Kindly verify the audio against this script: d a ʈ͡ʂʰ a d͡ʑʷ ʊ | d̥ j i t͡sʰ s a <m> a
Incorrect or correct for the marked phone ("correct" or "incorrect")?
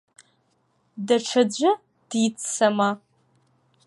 correct